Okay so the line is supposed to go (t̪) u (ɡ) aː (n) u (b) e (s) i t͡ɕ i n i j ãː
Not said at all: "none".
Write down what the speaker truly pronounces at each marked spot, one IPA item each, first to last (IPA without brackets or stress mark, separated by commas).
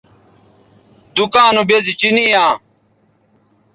d̪, k, n, b, z